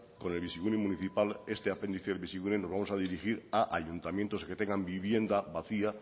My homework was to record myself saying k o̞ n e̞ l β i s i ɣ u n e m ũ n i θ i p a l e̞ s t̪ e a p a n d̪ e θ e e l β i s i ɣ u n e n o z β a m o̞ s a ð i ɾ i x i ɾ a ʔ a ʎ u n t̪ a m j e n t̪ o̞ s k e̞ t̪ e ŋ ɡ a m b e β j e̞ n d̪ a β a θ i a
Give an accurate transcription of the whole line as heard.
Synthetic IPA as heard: k o̞ n e̞ l β i s i ɣ u n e m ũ n i θ i p a l e̞ s t̪ e a p e n d̪ i θ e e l β i s i ɣ u n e n o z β a m o̞ s a ð i ɾ i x i ɾ a ʔ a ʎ u n t̪ a m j e n t̪ o̞ s k e̞ t̪ e ŋ ɡ a m b i β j e̞ n d̪ a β a θ i a